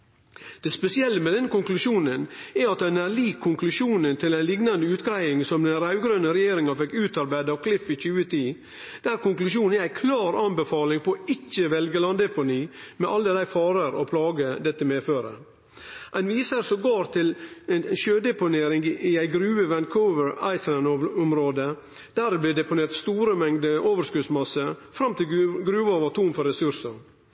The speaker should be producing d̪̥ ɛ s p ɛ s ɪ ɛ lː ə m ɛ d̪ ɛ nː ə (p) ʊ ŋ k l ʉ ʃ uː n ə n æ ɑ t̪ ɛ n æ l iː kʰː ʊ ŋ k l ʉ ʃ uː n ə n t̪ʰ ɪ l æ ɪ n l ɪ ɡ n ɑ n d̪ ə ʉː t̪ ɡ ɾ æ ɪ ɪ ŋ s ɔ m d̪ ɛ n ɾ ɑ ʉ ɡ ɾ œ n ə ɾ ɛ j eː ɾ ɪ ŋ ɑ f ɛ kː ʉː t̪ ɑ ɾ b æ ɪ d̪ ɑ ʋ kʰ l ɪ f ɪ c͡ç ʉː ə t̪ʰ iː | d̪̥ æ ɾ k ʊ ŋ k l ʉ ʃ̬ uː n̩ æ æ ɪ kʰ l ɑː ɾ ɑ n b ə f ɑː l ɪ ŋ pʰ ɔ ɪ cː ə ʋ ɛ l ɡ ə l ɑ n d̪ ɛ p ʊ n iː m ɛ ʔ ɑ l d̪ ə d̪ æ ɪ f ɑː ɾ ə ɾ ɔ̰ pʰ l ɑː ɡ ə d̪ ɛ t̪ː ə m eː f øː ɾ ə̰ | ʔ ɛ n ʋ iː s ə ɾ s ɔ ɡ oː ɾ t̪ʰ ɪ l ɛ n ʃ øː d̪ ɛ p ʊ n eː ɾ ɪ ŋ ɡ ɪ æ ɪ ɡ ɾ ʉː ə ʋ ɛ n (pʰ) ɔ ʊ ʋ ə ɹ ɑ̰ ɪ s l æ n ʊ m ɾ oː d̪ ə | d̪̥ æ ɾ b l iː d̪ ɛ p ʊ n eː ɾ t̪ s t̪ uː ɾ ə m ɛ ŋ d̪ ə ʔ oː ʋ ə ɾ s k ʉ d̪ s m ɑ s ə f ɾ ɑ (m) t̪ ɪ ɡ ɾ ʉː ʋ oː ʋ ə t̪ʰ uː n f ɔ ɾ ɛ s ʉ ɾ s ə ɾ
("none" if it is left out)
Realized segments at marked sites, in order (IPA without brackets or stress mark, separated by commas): k, kʰ, m